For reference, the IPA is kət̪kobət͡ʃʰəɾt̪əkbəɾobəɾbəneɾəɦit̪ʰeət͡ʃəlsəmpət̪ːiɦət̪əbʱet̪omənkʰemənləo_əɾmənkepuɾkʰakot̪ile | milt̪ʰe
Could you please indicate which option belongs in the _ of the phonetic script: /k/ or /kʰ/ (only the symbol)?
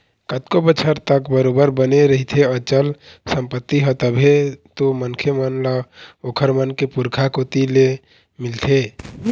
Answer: kʰ